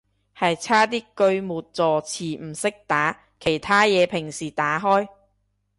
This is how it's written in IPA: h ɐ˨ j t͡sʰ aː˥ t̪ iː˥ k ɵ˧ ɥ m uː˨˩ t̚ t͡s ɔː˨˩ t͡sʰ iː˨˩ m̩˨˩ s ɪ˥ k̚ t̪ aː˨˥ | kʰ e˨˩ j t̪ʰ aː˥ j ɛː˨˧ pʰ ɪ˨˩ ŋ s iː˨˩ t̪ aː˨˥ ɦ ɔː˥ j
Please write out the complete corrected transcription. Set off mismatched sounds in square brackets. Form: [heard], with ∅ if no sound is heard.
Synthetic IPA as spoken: h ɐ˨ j t͡sʰ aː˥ t̪ iː˥ k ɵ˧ ɥ m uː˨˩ t̚ t͡s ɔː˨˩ t͡sʰ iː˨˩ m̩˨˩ s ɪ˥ k̚ t̪ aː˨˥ | kʰ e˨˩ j t̪ʰ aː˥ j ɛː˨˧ pʰ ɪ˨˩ ŋ s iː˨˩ t̪ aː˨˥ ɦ ɔː˥ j